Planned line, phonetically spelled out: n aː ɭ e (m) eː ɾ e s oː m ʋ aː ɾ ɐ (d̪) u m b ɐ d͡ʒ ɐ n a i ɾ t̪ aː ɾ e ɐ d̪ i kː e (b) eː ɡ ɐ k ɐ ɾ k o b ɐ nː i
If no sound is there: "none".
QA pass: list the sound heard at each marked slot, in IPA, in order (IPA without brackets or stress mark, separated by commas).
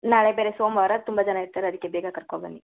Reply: b, t̪, b